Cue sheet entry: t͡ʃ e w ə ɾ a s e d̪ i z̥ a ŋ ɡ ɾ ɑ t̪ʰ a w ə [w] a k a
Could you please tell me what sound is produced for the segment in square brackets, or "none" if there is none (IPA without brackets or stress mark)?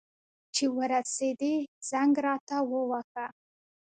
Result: w